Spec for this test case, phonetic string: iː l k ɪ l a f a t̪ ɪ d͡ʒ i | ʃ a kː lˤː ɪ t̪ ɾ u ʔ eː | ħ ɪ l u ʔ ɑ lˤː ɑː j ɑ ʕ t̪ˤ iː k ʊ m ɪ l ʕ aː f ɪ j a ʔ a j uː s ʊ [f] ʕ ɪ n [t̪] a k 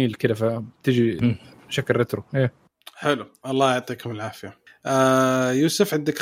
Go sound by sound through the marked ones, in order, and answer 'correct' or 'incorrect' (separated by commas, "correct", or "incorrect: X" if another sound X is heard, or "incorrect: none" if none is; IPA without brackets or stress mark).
correct, incorrect: d̪